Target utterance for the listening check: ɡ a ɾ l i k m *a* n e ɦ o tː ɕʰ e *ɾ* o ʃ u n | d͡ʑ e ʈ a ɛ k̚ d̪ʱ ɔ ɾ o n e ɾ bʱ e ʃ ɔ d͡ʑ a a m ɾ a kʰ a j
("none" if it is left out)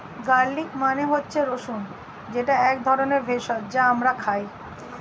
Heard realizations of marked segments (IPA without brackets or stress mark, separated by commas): a, ɾ